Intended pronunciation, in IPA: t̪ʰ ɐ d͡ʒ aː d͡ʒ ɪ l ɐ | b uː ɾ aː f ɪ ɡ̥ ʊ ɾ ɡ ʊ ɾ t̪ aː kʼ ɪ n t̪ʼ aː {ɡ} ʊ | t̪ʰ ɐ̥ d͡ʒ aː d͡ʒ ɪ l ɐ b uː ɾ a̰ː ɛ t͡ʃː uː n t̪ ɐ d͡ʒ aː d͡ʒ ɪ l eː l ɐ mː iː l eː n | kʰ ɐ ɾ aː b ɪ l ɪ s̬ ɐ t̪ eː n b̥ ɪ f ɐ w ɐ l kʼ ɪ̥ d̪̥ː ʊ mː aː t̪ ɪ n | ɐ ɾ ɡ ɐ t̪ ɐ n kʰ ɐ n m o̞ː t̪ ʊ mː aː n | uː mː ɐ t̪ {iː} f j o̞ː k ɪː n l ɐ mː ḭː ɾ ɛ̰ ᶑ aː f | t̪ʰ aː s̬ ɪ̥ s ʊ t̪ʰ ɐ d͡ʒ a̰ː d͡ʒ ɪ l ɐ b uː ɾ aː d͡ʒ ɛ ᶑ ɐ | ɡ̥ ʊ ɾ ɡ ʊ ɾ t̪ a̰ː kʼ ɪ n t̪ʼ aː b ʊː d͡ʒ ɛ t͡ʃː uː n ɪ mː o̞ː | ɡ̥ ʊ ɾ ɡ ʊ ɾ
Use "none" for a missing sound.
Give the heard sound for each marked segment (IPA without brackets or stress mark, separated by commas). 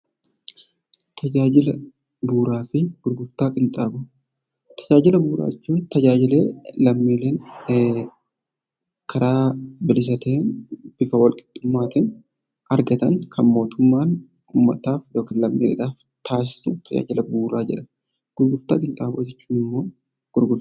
b, aː